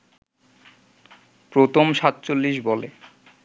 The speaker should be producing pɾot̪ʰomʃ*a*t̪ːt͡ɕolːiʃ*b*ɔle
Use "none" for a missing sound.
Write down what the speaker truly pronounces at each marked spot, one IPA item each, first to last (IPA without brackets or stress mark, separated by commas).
a, b